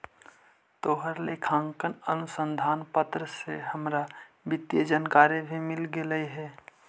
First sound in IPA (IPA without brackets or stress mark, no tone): t̪